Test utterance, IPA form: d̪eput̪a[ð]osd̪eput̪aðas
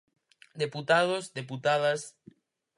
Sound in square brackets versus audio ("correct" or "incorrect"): correct